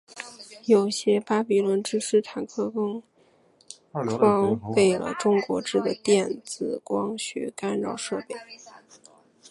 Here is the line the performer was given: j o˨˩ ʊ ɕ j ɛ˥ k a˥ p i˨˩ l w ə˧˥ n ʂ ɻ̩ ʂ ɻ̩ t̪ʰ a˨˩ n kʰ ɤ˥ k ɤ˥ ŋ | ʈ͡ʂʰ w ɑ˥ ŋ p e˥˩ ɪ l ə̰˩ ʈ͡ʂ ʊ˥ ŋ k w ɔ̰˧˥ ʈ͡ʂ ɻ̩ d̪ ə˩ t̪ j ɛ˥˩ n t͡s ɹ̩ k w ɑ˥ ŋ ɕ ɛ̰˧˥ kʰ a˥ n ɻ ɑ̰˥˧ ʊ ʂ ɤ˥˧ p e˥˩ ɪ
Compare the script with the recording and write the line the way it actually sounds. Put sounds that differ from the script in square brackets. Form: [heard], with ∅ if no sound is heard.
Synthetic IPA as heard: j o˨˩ ʊ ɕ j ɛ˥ [p] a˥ p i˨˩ l w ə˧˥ n [ʈ͡ʂ] ɻ̩ ʂ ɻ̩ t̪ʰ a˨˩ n kʰ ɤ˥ k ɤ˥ ŋ | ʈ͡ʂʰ w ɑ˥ ŋ p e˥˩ ɪ l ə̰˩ ʈ͡ʂ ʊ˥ ŋ k w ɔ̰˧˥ ʈ͡ʂ ɻ̩ d̪ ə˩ t̪ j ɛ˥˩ n t͡s ɹ̩ k w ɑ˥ ŋ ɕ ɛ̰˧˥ [k] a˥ n ɻ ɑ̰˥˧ ʊ ʂ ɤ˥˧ p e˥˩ ɪ